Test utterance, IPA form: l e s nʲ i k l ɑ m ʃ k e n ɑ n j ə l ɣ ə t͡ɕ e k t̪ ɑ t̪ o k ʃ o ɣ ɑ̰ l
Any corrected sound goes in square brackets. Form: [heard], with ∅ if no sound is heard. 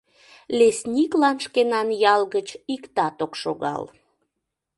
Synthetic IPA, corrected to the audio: l e s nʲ i k l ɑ [n] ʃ k e n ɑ n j [ɑ] l ɣ ə t͡ɕ [i] k t̪ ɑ t̪ o k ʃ o ɣ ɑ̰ l